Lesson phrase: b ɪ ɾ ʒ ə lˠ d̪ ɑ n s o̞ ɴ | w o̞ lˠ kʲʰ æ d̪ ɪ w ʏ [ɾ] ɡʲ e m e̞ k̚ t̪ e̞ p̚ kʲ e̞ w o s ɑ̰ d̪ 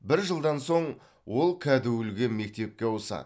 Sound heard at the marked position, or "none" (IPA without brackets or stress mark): l